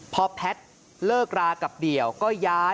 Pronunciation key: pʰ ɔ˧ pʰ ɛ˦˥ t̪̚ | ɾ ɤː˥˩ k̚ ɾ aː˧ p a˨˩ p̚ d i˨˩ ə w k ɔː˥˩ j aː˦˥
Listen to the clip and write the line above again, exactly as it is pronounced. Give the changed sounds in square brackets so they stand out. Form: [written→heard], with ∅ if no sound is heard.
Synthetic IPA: pʰ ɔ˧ pʰ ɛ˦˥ t̪̚ | [ɾ→l] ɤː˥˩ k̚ ɾ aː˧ [p→k] a˨˩ p̚ d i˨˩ ə w k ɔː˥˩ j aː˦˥